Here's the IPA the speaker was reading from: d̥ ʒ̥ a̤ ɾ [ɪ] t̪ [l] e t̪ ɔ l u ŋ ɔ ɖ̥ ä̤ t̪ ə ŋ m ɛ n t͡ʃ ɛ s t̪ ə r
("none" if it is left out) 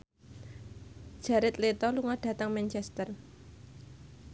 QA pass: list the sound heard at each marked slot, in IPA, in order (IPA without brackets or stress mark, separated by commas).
ɪ, l